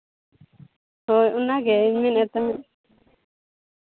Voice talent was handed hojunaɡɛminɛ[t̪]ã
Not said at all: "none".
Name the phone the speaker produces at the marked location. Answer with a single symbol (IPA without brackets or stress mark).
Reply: t̪